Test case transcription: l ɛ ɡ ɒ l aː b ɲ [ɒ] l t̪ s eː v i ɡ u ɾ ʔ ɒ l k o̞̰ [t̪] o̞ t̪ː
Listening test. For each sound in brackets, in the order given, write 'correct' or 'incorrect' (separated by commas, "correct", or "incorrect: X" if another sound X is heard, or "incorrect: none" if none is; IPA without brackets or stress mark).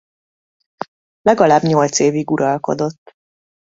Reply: incorrect: o, incorrect: d̪